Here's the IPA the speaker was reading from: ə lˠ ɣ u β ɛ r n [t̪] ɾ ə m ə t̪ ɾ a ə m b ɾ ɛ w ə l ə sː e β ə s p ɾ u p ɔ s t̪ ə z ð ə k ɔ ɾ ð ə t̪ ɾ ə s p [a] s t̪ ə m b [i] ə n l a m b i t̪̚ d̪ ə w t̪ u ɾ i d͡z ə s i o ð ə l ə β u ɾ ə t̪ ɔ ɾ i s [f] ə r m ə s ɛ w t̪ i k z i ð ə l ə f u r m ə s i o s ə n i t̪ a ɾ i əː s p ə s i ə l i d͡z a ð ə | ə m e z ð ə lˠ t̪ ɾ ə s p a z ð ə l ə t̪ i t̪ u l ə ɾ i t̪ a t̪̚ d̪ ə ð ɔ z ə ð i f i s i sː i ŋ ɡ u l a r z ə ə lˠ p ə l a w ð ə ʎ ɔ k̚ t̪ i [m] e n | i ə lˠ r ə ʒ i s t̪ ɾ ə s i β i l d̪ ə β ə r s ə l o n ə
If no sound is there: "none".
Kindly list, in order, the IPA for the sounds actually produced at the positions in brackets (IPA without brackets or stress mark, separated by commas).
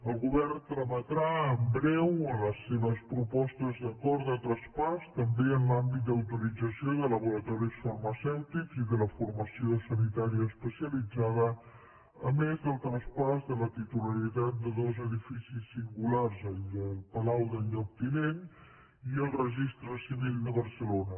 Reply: t̪, a, e, f, n